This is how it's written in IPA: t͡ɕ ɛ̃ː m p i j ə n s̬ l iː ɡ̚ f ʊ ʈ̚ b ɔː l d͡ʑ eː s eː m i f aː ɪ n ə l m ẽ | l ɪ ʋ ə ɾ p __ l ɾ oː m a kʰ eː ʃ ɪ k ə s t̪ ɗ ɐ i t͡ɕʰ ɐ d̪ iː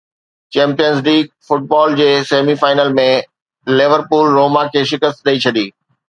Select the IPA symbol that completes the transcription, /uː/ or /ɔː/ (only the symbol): uː